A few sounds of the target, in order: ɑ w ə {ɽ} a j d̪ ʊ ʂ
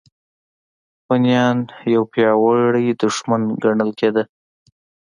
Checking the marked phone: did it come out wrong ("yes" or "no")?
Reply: no